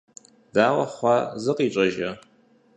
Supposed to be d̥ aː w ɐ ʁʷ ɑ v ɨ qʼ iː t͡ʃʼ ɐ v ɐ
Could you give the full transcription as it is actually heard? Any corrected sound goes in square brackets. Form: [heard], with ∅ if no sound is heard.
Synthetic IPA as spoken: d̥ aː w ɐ [χʷ] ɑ [z] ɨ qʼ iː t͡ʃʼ ɐ [ʒ] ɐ